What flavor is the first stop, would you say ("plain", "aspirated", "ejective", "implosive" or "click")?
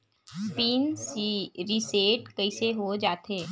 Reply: plain